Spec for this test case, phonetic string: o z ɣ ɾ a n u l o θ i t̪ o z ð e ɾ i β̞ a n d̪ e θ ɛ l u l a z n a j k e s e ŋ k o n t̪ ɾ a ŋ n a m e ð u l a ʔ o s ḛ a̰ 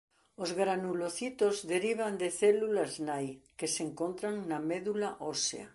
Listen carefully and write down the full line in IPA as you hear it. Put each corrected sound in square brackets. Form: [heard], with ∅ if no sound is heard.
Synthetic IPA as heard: o z ɣ ɾ a n u l o θ i t̪ o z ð e ɾ i β̞ a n d̪ e θ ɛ l u l a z n a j k e s e ŋ k o n t̪ ɾ a ŋ n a m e ð u l a ʔ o s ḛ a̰